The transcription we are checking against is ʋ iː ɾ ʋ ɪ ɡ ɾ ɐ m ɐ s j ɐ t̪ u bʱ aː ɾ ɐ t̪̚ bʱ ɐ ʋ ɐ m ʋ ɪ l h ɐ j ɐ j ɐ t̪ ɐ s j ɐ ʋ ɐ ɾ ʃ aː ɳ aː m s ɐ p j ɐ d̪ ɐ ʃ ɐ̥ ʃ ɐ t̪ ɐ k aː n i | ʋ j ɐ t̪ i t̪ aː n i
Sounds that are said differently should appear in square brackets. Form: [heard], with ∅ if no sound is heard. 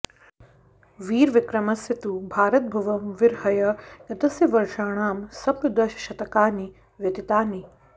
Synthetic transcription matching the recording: ʋ iː ɾ ʋ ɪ [k] ɾ ɐ m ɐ s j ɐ t̪ u bʱ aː ɾ ɐ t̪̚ bʱ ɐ ʋ ɐ m ʋ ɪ [ɾ] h ɐ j ɐ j ɐ t̪ ɐ s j ɐ ʋ ɐ ɾ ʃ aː ɳ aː m s ɐ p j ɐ d̪ ɐ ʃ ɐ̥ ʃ ɐ t̪ ɐ k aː n i | ʋ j ɐ t̪ i t̪ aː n i

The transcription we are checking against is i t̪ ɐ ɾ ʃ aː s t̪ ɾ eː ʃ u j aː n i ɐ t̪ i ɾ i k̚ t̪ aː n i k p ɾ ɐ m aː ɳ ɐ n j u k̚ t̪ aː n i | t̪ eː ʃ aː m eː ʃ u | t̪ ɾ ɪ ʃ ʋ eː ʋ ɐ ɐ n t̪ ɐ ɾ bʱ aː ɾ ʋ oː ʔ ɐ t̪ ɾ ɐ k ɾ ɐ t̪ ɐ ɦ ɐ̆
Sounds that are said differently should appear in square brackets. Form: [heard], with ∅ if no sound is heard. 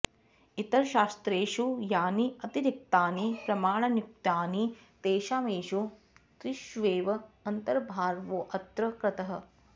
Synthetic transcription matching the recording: i t̪ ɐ ɾ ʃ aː s t̪ ɾ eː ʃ u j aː n i ɐ t̪ i ɾ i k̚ t̪ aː n i [∅] p ɾ ɐ m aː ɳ ɐ n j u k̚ t̪ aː n i | t̪ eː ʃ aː m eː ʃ u | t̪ ɾ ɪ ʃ ʋ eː ʋ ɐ ɐ n t̪ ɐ ɾ bʱ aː ɾ ʋ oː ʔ ɐ t̪ ɾ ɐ k ɾ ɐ t̪ ɐ ɦ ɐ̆

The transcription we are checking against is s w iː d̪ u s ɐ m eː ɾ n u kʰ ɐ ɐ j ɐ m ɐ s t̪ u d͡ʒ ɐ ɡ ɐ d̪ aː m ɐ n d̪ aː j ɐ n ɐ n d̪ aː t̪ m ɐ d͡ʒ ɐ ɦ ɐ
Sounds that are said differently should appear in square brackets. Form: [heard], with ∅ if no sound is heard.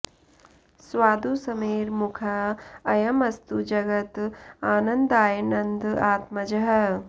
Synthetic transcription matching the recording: s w [aː] d̪ u s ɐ m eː ɾ [m] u kʰ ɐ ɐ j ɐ m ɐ s t̪ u d͡ʒ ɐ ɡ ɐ [t̪] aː [n] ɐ n d̪ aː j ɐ n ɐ n d̪ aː t̪ m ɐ d͡ʒ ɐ ɦ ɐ

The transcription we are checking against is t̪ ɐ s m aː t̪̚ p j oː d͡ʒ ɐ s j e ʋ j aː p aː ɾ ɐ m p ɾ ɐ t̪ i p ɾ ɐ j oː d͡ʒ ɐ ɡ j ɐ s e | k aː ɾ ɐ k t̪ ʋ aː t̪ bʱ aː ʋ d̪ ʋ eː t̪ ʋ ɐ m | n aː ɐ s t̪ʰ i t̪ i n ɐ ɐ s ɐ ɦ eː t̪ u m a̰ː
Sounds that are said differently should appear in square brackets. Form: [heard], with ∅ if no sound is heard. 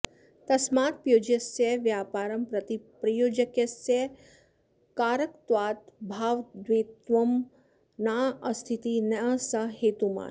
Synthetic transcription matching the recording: t̪ ɐ s m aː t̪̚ p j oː d͡ʒ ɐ s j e ʋ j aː p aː ɾ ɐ m p ɾ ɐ t̪ i p ɾ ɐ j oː d͡ʒ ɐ [k] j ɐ s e | k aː ɾ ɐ k t̪ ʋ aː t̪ bʱ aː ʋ d̪ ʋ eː t̪ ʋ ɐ m | n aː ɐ s t̪ʰ i t̪ i n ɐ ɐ s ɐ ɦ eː t̪ u m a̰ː

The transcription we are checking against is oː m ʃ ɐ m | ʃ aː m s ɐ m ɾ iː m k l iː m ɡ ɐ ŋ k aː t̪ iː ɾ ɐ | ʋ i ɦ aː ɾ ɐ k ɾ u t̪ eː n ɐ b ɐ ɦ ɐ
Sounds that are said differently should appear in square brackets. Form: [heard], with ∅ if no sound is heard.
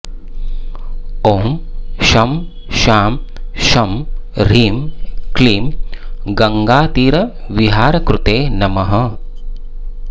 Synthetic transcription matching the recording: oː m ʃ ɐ m | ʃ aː m [ʃ] ɐ m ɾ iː m k l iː m ɡ ɐ ŋ [ɡ] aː t̪ iː ɾ ɐ | ʋ i ɦ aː ɾ ɐ k ɾ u t̪ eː n ɐ [m] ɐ ɦ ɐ

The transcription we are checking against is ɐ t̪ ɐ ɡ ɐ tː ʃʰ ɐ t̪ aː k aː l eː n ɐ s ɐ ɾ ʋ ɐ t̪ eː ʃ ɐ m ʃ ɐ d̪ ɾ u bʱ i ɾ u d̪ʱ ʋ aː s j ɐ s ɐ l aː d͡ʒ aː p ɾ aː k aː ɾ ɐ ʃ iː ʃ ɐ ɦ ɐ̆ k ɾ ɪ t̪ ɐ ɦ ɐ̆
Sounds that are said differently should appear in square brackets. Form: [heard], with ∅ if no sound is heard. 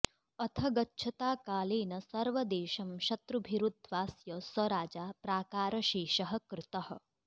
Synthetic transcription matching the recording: ɐ [t̪ʰ] ɐ ɡ ɐ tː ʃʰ ɐ t̪ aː k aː l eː n ɐ s ɐ ɾ ʋ ɐ [d̪] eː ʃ ɐ m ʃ ɐ [t̪] ɾ u bʱ i ɾ u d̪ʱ ʋ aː s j ɐ s ɐ [ɾ] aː d͡ʒ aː p ɾ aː k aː ɾ ɐ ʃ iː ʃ ɐ ɦ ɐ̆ k ɾ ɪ t̪ ɐ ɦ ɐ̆

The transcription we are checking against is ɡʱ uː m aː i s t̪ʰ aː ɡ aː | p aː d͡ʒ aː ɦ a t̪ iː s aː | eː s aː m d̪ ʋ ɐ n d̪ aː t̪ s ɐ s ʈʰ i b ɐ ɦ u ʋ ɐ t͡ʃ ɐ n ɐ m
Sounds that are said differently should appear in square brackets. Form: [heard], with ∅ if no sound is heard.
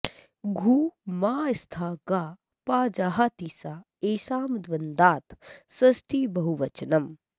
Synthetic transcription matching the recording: ɡʱ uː m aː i s t̪ʰ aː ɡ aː | p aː d͡ʒ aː ɦ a t̪ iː s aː | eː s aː m d̪ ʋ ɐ n d̪ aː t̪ s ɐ s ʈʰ i b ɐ ɦ u ʋ ɐ t͡ʃ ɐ n ɐ m

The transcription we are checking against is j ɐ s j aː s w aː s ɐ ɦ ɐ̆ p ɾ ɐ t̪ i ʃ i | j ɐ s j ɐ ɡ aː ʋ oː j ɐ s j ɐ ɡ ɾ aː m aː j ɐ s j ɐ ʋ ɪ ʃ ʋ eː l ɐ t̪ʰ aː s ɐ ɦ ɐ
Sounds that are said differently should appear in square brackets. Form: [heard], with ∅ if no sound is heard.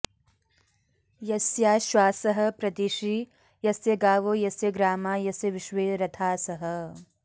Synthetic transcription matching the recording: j ɐ s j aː [ʃ] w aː s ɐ ɦ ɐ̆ p ɾ ɐ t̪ i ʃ i | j ɐ s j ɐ ɡ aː ʋ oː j ɐ s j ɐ ɡ ɾ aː m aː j ɐ s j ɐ ʋ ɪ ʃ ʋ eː [ɾ] ɐ t̪ʰ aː s ɐ ɦ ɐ

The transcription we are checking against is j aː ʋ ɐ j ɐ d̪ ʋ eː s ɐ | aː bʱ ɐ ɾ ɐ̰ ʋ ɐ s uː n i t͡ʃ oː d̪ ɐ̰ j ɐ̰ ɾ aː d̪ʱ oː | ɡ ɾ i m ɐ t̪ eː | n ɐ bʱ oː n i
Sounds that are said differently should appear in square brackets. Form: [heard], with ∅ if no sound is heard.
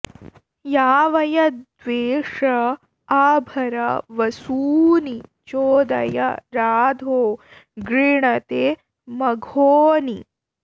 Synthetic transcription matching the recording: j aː ʋ ɐ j ɐ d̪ ʋ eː [ʂ] ɐ | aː bʱ ɐ ɾ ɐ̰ ʋ ɐ s uː n i t͡ʃ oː d̪ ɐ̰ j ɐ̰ ɾ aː d̪ʱ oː | ɡ ɾ i [ɳ] ɐ t̪ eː | [m] ɐ [ɡʱ] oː n i

